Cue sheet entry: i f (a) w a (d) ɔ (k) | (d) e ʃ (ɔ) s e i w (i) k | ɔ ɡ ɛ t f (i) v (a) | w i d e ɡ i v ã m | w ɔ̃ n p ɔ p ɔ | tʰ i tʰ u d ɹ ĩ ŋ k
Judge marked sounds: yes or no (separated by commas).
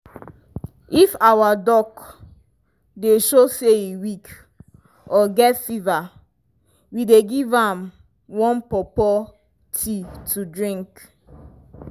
yes, yes, yes, yes, no, yes, yes, yes